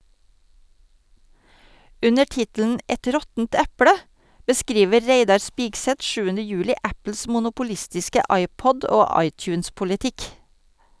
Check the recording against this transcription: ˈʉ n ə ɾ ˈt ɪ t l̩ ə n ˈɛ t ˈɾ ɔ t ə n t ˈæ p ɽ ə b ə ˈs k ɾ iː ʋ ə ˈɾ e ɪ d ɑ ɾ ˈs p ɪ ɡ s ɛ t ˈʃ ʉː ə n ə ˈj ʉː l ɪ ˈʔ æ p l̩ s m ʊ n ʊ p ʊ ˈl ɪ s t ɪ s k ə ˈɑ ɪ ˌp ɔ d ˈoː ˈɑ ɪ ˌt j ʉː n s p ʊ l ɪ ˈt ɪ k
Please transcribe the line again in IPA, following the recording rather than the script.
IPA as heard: ˈʉ n ə ɾ ˈt ɪ t l̩ ə n ˈɛ t ˈɾ ɔ t ə n t ˈæ p ɽ ə b ə ˈs k ɾ iː ʋ ə ˈɾ e ɪ d ɑ ɾ ˈs p ɪ ɡ s ɛ t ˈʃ ʉː ə n ə ˈj ʉː l ɪ ˈʔ æ p l̩ s m ʊ n ʊ p ʊ ˈl ɪ s t ɪ s k ə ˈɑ ɪ ˌp ɔ d ˈoː ˈɑ ɪ ˌt j ʉː n s p ʊ l ɪ ˈt ɪ k

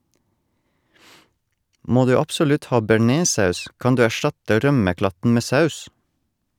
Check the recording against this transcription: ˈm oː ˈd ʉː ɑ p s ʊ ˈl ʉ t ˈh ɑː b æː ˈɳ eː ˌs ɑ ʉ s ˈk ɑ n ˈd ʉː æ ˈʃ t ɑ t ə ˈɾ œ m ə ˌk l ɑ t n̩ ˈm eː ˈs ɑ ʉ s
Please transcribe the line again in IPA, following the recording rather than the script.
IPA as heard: ˈm oː ˈd ʉː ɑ p s ʊ ˈl ʉ t ˈh ɑː b æ ˈɳ eː ˌs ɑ ʉ s ˈk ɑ n ˈd ʉː æ ˈʃ t ɑ t ə ˈɾ œ m ə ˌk l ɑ t n̩ ˈm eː ˈs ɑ ʉ s

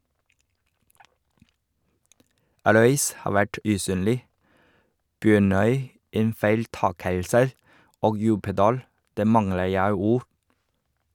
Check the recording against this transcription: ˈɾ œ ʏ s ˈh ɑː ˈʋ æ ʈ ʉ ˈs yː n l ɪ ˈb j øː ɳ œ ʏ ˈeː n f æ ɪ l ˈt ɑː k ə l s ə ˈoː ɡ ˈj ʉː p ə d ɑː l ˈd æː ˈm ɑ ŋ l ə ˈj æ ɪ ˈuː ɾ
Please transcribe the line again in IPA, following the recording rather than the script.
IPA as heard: ˈɾ œ ʏ s ˈh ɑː ˈʋ æ ʈ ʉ ˈs yː n l ɪ ˈb j øː ɳ œ ʏ ˈeː n f æ ɪ l ˈt ɑː k ə l s ə ˈoː ɡ ˈj ʉː p ə d ɑː l ˈd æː ˈm ɑ ŋ l ə ˈj æ ɪ ˈuː ɾ

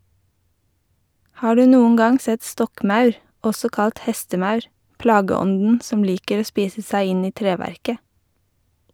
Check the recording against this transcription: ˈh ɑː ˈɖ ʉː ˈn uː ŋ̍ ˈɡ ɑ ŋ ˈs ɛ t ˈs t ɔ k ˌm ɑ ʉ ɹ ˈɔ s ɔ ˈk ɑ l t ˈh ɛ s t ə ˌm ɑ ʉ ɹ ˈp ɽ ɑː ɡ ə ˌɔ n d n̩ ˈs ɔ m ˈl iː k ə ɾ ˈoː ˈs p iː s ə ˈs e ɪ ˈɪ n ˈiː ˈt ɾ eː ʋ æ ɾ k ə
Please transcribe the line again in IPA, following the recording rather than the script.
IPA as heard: ˈh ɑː ˈɖ ʉː ˈn uː ŋ̍ ˈɡ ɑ ŋ ˈs ɛ t ˈs t ɔ k ˌm ɑ ʉ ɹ ˈɔ s ɔ ˈk ɑ l t ˈh ɛ s t ə ˌm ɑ ʉ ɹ ˈp l ɑː ɡ ə ˌɔ n d n̩ ˈs ɔ m ˈl iː k ə ɾ ˈoː ˈs p iː s ə ˈs æ ɪ ˈɪ n ˈiː ˈt ɾ eː ʋ æ ɾ k ə

